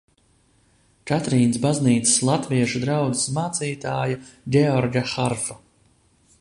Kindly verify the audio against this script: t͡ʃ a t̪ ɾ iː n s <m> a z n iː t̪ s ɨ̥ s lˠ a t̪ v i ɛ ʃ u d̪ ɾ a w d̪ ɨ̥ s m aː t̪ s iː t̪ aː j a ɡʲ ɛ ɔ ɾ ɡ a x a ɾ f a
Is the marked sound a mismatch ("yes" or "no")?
yes